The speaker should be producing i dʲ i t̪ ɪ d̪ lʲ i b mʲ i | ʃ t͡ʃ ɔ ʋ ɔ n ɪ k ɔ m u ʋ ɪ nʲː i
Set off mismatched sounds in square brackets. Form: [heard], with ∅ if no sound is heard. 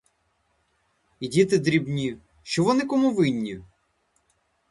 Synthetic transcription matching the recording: i dʲ i t̪ ɪ d̪ [ɾʲ] i b [nʲ] i | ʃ t͡ʃ ɔ ʋ ɔ n ɪ k ɔ m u ʋ ɪ nʲː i